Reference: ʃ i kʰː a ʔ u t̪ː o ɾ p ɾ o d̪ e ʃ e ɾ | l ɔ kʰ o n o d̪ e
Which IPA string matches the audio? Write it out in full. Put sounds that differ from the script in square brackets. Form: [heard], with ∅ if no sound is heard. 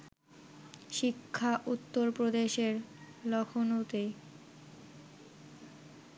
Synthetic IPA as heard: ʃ i kʰː a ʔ u t̪ː o ɾ p ɾ o d̪ e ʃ e ɾ | l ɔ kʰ o n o [t̪] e